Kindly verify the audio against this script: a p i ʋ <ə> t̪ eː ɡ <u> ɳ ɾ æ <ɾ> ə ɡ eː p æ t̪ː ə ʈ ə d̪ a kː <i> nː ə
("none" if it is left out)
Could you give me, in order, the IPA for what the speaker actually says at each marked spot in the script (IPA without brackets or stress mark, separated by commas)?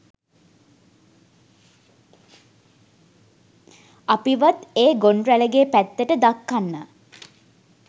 a, o, l, a